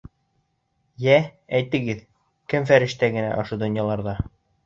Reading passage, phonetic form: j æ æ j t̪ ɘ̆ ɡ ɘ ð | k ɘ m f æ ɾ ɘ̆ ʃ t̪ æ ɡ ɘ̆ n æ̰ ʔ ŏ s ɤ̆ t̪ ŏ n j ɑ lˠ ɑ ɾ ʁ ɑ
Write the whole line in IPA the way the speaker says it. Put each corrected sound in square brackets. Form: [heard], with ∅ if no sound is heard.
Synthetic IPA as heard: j æ æ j t̪ ɘ̆ ɡ ɘ ð | k ɘ m f æ ɾ ɘ̆ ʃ t̪ æ ɡ ɘ̆ n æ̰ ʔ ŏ [ʃ] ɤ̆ [d̪] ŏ n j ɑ lˠ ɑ ɾ [ð] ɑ